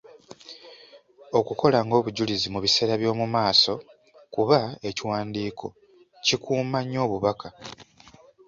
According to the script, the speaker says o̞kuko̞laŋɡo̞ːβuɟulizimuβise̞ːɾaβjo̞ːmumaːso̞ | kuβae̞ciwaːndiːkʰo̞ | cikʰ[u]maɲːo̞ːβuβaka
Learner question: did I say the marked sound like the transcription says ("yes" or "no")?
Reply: no